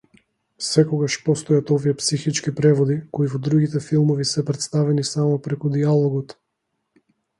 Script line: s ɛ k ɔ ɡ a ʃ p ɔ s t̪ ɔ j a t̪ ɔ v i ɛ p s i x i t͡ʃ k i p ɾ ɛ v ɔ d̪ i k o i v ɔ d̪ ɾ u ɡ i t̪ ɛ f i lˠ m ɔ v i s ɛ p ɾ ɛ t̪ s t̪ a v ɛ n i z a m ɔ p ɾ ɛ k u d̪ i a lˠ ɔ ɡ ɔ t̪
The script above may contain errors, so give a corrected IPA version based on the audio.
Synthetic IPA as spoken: s ɛ k ɔ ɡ a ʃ p ɔ s t̪ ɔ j a t̪ ɔ v i ɛ p s i x i t͡ʃ k i p ɾ ɛ v ɔ d̪ i k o i v ɔ d̪ ɾ u ɡ i t̪ ɛ f i lˠ m ɔ v i s ɛ p ɾ ɛ t̪ s t̪ a v ɛ n i s a m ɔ p ɾ ɛ k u d̪ i a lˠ ɔ ɡ ɔ t̪